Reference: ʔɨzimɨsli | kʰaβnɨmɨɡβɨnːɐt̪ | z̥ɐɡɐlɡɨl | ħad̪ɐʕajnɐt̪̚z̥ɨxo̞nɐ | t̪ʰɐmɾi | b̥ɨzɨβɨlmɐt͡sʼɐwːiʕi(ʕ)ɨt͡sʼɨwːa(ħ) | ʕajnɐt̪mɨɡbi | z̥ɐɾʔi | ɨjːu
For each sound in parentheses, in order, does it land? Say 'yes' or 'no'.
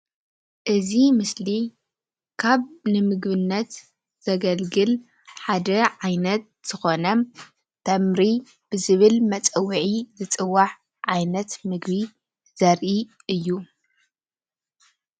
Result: no, yes

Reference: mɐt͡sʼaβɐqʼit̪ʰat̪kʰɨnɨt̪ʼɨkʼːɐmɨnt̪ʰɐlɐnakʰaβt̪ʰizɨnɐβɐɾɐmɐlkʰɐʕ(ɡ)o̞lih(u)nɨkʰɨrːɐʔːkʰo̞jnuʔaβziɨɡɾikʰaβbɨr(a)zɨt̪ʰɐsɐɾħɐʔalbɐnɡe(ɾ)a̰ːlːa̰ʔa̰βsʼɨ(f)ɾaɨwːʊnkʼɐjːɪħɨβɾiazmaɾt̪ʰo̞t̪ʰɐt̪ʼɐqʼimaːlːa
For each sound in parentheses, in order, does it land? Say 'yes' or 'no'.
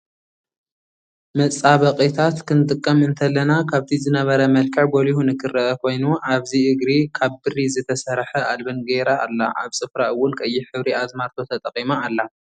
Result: yes, yes, no, yes, yes

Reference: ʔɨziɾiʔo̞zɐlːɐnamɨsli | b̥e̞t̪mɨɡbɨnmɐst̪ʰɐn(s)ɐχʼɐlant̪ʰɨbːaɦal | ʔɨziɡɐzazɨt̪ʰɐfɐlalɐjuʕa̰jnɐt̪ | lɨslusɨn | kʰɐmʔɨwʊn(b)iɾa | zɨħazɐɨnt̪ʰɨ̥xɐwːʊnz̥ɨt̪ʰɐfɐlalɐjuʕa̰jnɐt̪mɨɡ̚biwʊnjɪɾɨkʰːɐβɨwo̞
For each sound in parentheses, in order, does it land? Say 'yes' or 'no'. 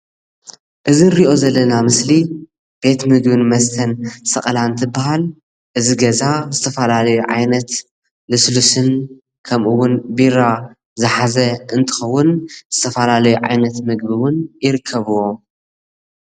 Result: yes, yes

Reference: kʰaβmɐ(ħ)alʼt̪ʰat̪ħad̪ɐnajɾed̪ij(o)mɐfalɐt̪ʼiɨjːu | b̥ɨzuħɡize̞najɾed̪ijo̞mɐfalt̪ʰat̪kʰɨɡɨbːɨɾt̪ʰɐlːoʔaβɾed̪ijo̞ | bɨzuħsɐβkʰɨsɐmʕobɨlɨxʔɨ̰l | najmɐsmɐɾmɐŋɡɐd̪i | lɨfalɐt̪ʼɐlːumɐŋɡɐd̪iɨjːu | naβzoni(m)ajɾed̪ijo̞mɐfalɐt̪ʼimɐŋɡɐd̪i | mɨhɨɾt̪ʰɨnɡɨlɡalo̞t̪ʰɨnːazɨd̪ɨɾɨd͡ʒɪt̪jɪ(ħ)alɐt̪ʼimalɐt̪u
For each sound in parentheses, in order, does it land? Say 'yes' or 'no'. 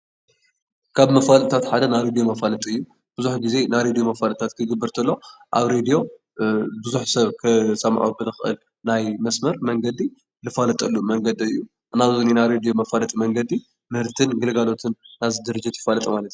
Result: no, yes, no, no

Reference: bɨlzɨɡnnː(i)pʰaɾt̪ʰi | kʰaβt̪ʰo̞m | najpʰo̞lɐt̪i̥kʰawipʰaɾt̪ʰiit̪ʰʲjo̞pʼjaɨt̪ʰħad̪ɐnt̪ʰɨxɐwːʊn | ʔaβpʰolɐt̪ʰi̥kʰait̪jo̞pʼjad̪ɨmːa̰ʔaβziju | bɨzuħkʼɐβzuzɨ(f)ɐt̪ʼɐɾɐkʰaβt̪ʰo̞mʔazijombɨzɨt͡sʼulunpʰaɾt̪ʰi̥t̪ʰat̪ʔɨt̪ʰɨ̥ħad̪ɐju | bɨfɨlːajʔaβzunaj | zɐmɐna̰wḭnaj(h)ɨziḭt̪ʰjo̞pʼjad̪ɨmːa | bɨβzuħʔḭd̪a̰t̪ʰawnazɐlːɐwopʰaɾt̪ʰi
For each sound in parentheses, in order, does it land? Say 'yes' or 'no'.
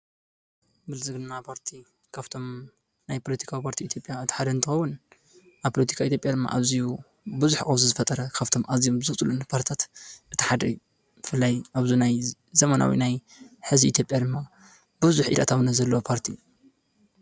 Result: no, yes, no

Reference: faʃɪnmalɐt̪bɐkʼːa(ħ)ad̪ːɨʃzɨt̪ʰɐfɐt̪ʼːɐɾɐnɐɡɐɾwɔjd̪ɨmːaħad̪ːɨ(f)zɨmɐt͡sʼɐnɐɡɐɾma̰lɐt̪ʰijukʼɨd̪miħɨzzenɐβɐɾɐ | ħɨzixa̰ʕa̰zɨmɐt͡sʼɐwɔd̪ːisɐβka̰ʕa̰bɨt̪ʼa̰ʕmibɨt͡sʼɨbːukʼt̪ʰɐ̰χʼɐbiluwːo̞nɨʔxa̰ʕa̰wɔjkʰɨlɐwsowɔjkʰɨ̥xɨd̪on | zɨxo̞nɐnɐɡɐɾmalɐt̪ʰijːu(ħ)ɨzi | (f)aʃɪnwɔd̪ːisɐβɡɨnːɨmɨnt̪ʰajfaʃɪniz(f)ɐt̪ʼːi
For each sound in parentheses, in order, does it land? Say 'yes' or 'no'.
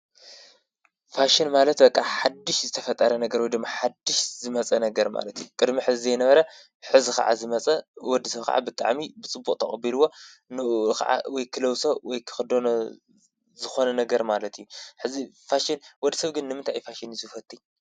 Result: yes, no, yes, yes, yes

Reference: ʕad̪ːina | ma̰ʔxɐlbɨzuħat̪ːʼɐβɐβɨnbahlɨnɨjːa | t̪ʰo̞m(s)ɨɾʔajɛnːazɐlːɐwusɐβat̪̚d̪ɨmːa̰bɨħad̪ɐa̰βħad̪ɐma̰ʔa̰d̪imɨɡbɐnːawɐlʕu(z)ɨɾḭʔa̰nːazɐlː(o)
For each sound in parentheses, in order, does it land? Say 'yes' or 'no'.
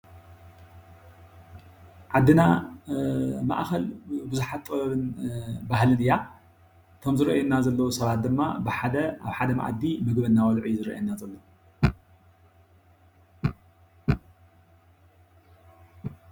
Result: no, yes, yes

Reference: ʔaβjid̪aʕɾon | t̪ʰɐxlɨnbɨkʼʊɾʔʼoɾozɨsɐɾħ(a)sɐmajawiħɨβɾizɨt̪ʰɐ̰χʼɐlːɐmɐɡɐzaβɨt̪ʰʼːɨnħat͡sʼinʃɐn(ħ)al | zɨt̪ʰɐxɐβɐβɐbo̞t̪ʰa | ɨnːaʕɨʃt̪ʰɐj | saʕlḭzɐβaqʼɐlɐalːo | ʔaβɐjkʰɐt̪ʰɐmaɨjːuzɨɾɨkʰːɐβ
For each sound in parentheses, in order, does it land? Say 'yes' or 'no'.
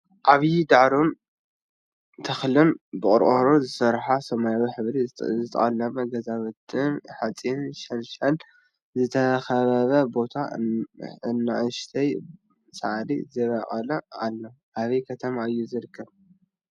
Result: yes, no

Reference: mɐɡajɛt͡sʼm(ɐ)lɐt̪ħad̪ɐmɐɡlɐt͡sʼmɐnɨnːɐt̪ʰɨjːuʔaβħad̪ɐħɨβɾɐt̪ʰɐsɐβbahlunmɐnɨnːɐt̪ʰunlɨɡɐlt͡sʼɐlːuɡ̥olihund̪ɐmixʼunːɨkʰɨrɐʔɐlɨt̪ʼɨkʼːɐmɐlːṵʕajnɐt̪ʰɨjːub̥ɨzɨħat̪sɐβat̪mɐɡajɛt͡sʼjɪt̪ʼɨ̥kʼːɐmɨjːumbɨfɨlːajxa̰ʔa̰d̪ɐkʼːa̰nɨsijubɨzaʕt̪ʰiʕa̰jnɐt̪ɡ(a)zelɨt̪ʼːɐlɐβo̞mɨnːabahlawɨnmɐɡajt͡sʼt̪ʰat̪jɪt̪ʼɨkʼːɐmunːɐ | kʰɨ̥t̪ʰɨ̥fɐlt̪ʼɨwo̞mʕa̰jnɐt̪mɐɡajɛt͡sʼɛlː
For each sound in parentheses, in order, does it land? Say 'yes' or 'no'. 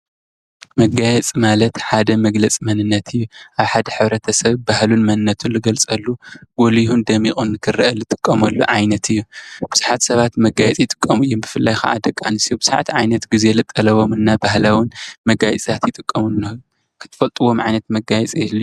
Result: no, no

